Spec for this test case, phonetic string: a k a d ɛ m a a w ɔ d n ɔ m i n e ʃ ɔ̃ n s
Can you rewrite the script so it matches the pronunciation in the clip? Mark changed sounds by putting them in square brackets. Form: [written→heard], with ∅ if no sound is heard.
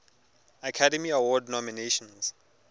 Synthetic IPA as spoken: a [k→kʰ] a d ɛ m [a→i] a w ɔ d n ɔ m i n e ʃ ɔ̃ n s